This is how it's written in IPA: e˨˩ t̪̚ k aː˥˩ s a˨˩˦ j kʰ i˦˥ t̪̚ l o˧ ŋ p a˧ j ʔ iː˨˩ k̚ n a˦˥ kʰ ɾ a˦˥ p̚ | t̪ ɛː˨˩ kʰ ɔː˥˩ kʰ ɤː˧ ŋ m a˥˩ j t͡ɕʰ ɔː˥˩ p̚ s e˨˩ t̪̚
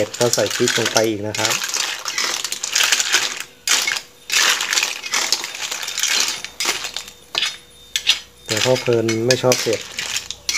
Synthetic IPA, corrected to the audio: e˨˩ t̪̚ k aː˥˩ s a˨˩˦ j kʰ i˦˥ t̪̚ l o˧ ŋ p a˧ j ʔ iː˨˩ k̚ n a˦˥ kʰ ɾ a˦˥ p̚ | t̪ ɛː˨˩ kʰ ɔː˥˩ pʰ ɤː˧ n m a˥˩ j t͡ɕʰ ɔː˥˩ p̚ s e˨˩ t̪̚